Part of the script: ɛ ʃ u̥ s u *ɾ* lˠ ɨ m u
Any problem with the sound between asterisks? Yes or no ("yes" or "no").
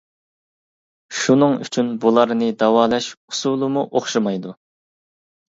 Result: yes